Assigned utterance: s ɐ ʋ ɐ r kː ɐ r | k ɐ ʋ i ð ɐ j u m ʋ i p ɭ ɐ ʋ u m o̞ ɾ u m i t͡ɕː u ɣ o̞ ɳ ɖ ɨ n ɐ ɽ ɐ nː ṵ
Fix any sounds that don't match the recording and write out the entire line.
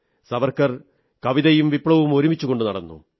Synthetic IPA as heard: s ɐ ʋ ɐ r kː ɐ r | k ɐ ʋ i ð ɐ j u m ʋ i p ɭ ɐ ʋ u m o̞ ɾ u m i t͡ɕː u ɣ o̞ ɳ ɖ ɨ n ɐ ɽ ɐ nː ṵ